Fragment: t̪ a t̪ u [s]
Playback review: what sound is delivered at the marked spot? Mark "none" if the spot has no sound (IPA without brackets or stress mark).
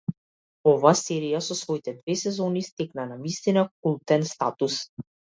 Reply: s